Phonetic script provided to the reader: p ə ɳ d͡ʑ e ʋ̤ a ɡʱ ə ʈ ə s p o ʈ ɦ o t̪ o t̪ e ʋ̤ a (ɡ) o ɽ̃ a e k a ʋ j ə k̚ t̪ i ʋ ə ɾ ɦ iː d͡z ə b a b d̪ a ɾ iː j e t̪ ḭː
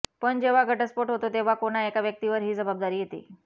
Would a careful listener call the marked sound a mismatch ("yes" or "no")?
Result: yes